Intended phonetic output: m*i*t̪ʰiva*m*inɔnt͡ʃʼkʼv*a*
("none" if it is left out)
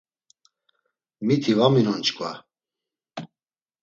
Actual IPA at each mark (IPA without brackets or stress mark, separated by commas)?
i, m, a